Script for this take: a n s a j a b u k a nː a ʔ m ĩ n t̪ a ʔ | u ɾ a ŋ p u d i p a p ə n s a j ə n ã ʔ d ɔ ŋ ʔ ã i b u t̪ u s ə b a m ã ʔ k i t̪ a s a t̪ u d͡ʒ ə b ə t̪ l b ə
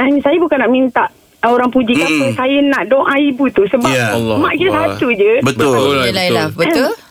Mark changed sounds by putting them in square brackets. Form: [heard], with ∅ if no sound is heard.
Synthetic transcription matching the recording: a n s a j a b u k a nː a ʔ m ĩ n t̪ a ʔ | [o] ɾ a ŋ p u [d͡ʒ] i [k] a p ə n s a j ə n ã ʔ d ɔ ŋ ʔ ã i b u t̪ u s ə b a m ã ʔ k i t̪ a s a t̪ u d͡ʒ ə b ə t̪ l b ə